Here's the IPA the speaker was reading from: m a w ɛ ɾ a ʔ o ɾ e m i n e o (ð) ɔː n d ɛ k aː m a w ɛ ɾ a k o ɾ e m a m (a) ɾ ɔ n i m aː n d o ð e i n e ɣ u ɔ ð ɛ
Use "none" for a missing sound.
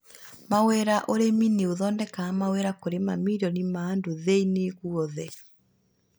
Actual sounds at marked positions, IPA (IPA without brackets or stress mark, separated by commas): ð, i